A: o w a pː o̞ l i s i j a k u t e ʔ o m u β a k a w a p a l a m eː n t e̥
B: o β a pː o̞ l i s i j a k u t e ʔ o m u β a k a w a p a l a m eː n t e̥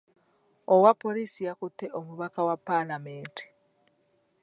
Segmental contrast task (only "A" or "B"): A